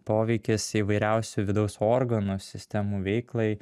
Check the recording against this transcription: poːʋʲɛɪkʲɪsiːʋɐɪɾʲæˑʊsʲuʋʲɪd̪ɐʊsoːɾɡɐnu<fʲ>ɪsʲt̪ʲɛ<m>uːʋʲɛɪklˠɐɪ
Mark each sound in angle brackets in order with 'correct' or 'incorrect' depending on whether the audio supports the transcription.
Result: incorrect: sʲ, correct

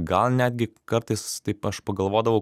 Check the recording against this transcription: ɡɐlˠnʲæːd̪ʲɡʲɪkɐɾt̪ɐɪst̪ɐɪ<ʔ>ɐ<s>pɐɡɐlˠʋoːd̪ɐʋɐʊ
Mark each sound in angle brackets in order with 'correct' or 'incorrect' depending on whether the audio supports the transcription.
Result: incorrect: p, incorrect: ʃ

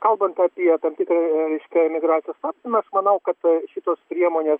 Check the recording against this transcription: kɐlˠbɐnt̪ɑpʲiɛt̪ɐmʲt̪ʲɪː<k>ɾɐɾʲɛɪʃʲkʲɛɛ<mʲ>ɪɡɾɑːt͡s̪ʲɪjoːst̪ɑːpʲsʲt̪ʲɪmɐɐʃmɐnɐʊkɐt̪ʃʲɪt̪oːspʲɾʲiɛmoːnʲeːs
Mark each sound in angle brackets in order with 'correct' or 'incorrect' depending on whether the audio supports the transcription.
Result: correct, correct

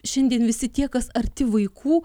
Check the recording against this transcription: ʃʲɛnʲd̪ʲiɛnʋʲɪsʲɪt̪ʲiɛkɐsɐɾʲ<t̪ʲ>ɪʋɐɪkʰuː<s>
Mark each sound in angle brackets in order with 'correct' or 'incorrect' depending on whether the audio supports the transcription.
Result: correct, incorrect: none

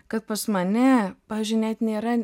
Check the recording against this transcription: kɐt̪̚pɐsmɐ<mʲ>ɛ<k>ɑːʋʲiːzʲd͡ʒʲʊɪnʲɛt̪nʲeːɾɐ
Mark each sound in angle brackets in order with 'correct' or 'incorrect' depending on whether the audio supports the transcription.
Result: incorrect: nʲ, incorrect: p

